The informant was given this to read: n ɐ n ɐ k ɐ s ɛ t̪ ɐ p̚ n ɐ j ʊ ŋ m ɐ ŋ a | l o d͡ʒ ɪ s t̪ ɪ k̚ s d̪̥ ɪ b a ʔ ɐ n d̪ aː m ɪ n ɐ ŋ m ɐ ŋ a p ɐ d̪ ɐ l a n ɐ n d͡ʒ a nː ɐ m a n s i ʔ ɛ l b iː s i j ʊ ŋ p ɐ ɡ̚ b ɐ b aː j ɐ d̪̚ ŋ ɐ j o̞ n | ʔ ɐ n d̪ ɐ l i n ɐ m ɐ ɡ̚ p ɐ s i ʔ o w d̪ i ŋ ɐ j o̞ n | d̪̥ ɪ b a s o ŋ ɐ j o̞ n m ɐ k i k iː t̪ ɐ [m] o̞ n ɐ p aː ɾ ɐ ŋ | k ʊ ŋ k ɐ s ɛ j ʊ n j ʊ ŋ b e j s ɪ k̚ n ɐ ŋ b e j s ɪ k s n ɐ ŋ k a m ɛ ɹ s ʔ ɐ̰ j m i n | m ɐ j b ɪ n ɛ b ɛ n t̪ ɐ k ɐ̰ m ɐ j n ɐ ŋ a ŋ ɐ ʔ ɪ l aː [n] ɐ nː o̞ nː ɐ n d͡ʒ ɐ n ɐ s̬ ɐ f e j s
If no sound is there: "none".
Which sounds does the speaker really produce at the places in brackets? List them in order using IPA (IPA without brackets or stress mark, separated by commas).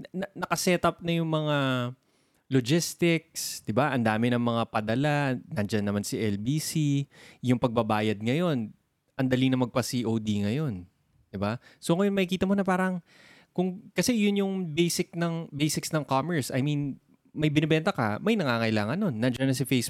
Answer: m, ŋ